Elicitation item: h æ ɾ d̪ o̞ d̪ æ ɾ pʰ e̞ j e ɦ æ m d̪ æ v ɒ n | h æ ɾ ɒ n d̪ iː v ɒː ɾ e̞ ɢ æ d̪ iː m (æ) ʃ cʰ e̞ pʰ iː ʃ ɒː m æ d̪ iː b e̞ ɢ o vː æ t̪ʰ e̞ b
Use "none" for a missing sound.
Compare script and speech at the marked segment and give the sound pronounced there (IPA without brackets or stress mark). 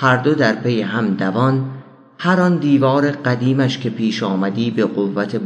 æ